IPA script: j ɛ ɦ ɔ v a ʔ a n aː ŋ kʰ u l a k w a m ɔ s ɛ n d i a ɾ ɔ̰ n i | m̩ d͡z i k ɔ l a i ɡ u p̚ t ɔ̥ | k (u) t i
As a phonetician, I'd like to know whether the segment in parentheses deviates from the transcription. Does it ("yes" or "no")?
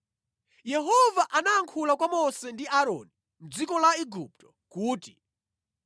yes